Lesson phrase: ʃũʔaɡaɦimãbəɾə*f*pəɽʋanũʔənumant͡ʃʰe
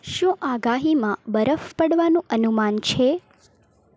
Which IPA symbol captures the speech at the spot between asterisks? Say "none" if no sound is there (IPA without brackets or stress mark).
f